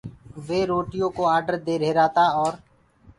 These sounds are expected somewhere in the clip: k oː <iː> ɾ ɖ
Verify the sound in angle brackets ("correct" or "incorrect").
incorrect